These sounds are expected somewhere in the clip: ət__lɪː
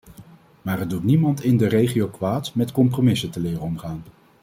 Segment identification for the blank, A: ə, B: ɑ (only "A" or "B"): A